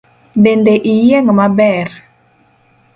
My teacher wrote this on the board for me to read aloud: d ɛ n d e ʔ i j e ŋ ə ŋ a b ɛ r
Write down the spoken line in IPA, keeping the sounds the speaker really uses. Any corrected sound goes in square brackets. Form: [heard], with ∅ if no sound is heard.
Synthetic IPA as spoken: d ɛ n d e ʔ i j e ŋ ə [m] a b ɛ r